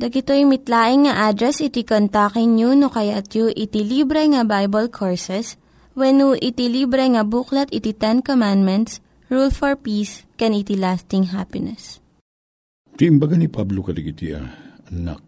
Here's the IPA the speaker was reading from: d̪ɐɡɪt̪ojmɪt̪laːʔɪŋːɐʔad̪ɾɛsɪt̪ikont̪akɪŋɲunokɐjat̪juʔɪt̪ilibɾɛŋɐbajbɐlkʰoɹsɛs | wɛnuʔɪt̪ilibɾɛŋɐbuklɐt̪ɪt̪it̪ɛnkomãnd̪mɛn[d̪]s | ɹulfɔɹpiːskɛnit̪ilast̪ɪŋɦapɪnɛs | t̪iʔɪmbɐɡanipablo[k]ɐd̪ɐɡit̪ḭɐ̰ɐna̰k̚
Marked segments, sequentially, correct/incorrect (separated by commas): incorrect, correct